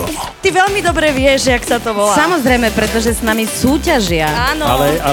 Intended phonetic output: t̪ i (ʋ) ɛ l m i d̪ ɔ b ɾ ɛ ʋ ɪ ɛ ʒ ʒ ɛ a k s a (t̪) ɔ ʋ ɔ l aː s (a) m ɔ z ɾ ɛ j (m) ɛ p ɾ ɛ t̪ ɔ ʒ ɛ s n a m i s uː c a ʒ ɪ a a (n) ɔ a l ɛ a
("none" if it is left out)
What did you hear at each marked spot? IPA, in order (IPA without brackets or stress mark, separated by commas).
ʋ, t̪, a, m, n